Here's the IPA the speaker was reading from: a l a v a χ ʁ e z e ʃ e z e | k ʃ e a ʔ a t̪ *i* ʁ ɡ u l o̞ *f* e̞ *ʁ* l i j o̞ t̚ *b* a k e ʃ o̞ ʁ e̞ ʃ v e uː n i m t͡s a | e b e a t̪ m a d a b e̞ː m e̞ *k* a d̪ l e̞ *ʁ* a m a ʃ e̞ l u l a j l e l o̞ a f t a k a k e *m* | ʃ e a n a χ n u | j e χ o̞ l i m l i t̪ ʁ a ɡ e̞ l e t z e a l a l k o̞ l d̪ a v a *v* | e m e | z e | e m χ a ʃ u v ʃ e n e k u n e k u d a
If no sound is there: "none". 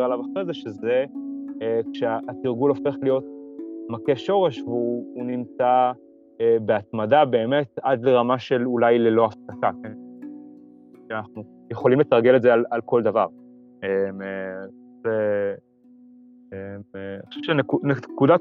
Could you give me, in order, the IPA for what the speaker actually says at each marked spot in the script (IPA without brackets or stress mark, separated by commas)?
i, f, χ, m, t, ʁ, n, ʁ